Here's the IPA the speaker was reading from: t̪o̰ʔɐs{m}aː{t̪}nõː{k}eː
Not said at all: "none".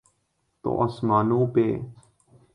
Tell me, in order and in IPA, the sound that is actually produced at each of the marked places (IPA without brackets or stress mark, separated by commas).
m, none, p